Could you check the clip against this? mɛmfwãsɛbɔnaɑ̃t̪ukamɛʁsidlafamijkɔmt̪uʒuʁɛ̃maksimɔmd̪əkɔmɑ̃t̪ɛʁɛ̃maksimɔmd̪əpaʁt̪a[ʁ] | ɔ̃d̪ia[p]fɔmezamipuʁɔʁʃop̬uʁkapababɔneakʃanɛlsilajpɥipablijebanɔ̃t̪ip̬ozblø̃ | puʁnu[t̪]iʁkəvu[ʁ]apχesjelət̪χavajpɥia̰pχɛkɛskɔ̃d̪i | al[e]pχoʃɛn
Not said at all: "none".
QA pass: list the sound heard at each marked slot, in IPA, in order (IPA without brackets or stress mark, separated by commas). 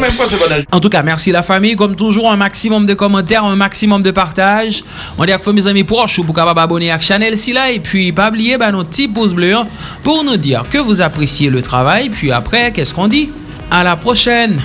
ʒ, k, d̪, z, a